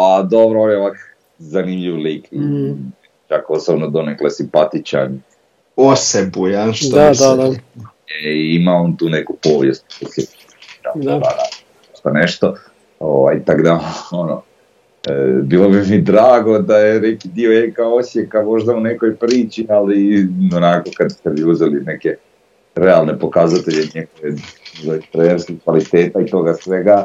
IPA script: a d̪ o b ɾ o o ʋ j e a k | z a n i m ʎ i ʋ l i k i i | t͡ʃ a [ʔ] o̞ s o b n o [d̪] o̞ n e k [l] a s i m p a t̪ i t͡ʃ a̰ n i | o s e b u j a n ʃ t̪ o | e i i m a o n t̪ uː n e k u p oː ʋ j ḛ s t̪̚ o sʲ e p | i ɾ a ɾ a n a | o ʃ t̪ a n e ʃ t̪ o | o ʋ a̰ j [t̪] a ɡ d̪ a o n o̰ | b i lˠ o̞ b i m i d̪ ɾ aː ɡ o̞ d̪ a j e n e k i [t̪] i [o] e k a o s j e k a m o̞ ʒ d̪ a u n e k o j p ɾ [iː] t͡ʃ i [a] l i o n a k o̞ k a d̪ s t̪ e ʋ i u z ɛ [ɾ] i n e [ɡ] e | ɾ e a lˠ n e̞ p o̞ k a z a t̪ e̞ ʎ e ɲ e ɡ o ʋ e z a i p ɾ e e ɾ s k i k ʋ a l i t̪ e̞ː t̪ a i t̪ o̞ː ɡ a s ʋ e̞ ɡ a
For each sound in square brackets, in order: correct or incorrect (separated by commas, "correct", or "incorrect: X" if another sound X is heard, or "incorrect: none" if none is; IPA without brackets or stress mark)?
incorrect: k, correct, correct, correct, incorrect: d̪, correct, correct, correct, incorrect: l, incorrect: k